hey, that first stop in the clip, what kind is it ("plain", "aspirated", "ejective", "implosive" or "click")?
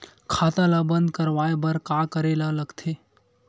aspirated